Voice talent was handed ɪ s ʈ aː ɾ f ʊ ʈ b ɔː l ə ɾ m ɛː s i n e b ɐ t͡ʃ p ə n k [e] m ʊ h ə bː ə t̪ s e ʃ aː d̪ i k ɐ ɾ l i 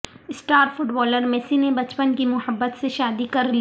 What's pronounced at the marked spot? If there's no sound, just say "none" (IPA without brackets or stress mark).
i